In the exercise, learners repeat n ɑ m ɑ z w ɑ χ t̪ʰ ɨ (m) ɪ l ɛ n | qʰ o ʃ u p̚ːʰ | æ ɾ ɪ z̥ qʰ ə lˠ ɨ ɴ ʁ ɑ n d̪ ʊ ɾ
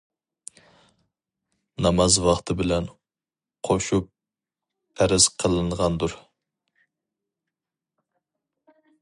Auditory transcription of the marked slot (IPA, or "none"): b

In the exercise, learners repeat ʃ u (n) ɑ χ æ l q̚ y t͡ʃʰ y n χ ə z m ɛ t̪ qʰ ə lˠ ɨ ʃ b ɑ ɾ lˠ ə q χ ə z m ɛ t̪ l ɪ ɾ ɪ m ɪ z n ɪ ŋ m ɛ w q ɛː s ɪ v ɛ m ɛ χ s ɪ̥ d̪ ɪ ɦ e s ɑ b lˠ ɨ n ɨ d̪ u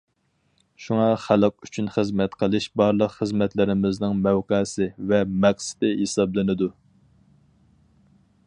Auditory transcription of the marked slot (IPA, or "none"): ŋ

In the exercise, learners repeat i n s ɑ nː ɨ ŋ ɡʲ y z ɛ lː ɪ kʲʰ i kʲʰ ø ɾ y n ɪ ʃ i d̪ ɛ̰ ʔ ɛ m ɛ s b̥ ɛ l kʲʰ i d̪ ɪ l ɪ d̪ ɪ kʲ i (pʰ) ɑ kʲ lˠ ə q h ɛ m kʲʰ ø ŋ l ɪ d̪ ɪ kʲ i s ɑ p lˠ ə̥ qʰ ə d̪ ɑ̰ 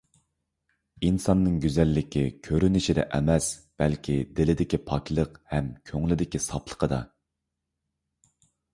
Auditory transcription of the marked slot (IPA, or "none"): pʰ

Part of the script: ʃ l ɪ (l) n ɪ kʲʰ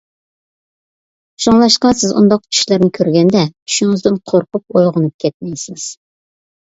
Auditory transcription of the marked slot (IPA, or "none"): ɾ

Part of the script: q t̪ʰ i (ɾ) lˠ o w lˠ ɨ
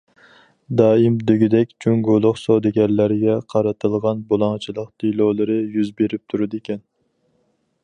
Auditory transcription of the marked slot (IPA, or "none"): none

